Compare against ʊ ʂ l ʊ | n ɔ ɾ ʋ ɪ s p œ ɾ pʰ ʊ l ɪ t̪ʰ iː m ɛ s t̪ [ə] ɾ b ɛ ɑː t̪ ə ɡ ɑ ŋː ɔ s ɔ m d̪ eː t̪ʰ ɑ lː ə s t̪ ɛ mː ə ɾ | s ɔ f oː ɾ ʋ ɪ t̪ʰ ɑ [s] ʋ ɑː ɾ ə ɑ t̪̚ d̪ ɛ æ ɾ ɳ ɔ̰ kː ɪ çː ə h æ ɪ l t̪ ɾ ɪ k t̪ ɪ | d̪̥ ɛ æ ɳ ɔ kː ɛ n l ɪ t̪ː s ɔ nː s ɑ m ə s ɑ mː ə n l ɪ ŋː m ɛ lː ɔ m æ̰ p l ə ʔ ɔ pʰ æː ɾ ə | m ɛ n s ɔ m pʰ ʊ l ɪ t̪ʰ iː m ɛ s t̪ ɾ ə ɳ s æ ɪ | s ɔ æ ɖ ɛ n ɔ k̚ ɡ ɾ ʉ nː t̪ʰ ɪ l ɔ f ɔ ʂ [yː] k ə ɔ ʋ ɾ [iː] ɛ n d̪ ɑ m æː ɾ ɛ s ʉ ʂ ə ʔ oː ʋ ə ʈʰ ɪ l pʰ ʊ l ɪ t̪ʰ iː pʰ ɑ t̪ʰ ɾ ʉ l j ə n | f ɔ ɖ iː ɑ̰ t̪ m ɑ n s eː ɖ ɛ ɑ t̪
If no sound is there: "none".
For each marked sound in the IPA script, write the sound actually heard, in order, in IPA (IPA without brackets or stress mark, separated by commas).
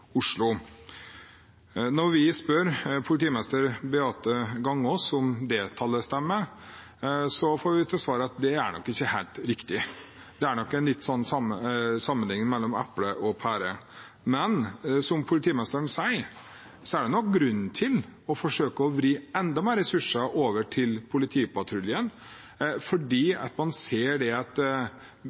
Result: ə, s, øː, iː